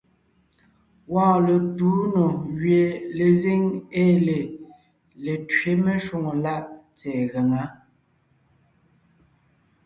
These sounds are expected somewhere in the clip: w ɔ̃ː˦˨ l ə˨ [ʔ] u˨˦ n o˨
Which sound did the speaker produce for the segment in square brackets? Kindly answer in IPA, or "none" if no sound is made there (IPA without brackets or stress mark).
t